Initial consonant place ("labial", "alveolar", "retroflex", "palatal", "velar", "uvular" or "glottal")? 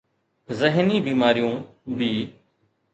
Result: alveolar